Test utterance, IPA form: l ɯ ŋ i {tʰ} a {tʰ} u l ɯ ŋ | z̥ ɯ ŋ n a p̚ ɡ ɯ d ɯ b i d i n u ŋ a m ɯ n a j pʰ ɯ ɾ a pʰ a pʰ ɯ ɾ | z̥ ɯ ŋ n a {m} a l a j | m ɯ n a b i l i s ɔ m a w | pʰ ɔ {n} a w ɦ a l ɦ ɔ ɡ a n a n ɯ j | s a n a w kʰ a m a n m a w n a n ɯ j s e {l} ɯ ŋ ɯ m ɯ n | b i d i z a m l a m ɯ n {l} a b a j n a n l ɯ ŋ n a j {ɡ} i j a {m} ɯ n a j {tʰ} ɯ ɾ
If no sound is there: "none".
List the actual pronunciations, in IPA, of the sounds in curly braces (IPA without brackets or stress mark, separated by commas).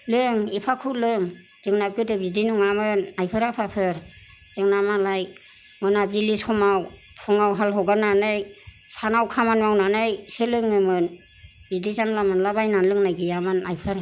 pʰ, kʰ, m, ŋ, l, l, ɡ, m, pʰ